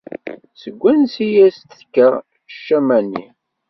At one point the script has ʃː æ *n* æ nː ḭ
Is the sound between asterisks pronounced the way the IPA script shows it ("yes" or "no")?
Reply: no